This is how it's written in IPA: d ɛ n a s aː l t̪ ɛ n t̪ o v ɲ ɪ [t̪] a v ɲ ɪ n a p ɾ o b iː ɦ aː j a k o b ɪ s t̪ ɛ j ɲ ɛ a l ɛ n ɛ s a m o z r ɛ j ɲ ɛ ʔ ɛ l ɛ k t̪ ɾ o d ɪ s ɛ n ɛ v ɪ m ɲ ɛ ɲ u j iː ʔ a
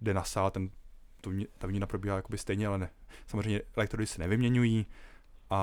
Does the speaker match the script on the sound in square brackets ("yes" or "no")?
yes